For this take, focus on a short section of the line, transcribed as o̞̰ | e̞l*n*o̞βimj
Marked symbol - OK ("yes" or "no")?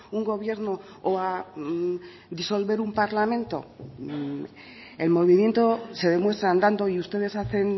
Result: no